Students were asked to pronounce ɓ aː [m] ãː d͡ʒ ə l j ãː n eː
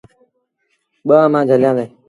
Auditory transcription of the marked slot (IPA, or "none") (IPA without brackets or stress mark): m